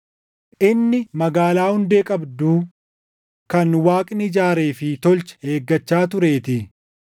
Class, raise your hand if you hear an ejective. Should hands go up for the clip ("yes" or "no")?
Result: yes